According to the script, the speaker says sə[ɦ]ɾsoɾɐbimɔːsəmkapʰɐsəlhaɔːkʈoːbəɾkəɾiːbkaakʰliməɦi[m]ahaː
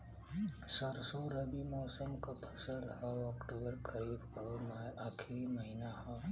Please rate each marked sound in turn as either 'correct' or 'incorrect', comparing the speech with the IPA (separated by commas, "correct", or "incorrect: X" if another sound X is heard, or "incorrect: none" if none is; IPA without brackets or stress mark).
incorrect: none, incorrect: n